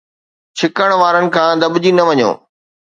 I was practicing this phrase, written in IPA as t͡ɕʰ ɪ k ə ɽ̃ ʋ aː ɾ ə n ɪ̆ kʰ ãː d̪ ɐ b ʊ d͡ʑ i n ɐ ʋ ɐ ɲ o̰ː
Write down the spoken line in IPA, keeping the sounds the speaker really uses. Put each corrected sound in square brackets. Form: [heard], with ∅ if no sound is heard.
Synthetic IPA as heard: t͡ɕʰ ɪ k ə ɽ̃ ʋ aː ɾ ə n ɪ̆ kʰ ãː d̪ ɐ b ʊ d͡ʑ i n ɐ ʋ ɐ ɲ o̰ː